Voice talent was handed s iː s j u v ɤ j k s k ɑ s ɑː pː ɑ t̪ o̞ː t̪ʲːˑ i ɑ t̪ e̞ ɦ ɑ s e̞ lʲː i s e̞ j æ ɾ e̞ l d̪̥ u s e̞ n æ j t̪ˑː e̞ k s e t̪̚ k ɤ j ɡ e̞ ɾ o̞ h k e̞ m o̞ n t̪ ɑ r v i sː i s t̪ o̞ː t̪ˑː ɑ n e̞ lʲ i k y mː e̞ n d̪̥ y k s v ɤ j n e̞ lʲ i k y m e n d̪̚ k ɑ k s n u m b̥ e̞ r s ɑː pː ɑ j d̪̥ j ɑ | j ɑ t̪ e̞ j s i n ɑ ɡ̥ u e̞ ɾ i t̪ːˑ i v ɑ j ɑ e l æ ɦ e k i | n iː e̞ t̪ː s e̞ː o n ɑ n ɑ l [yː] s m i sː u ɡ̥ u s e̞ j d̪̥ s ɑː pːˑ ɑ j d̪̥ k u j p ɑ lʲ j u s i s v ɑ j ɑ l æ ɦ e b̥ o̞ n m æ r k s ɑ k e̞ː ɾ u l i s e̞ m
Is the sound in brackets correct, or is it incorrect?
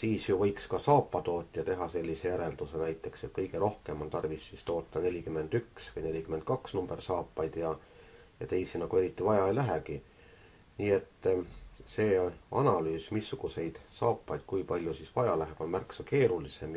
correct